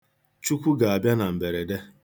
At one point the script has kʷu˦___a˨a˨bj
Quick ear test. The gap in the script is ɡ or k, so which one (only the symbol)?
ɡ